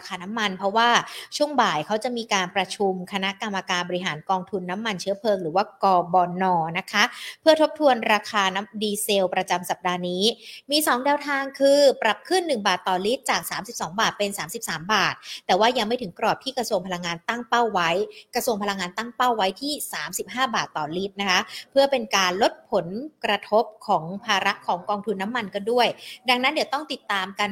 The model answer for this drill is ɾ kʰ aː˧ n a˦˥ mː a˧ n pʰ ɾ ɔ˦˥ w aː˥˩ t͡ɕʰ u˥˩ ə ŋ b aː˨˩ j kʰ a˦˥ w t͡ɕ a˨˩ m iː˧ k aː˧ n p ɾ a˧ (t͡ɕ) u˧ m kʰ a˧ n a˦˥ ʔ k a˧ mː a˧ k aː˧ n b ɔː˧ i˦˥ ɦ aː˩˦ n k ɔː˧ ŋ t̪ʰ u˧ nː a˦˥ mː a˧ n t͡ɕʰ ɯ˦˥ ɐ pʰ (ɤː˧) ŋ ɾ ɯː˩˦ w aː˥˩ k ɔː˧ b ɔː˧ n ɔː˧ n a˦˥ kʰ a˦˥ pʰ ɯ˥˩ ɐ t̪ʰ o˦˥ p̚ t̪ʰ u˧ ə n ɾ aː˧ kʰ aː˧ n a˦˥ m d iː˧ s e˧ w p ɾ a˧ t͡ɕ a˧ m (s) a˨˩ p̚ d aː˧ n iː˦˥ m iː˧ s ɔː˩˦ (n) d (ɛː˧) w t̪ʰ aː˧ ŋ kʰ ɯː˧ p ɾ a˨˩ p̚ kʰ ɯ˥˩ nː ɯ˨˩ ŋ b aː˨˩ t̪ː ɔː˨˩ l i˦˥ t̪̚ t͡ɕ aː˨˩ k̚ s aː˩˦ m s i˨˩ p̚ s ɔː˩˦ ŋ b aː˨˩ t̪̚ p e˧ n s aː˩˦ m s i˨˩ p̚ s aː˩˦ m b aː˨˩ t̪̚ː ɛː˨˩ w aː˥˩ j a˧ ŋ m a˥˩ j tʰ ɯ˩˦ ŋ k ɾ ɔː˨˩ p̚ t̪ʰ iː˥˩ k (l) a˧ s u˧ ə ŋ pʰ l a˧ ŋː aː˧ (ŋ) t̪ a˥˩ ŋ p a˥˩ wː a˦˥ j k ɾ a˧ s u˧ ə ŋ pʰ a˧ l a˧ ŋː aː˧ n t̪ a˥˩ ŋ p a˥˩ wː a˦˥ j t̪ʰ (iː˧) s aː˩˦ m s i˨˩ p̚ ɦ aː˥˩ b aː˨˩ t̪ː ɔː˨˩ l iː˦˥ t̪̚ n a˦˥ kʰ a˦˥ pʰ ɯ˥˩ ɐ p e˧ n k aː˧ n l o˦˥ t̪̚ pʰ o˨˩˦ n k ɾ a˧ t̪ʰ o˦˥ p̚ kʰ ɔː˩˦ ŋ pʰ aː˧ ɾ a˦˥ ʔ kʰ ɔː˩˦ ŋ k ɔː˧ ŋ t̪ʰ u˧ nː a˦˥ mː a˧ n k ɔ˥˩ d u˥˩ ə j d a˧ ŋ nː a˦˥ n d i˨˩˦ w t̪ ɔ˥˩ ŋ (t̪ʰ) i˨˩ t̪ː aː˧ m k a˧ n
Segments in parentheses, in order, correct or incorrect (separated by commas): incorrect, correct, correct, incorrect, correct, incorrect, incorrect, incorrect, incorrect